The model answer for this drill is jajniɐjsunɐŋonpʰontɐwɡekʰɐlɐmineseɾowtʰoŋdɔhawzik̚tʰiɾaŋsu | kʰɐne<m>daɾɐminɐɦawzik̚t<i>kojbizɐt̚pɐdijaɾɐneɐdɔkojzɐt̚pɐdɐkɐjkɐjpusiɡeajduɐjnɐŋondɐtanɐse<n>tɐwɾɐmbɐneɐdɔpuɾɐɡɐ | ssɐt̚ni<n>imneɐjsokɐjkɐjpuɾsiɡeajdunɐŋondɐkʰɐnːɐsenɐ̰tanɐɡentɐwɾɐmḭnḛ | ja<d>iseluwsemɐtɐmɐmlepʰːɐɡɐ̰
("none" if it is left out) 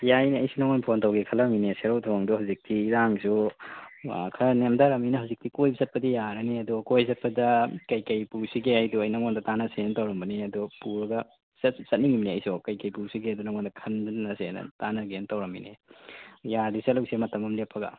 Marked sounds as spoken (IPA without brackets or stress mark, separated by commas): m, i, n, ŋ, d